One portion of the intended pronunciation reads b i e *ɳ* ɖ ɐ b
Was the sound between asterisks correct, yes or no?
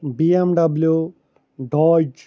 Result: no